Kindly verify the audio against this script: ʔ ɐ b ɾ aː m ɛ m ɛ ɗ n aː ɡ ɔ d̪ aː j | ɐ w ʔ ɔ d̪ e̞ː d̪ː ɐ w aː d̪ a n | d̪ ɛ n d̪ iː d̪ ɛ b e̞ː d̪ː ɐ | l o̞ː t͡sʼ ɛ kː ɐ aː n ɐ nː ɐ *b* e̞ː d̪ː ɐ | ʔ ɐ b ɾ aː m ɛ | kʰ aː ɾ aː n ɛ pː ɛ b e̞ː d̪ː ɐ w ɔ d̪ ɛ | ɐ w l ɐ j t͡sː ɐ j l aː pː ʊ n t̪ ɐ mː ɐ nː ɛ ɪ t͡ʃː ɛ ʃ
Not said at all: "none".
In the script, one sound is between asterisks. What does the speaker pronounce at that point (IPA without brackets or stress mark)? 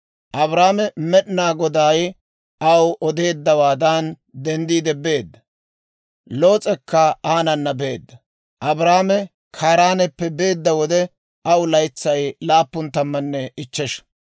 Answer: b